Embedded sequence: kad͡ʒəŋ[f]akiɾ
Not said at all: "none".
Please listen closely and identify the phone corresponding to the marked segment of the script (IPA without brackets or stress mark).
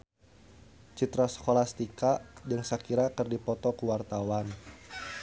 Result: s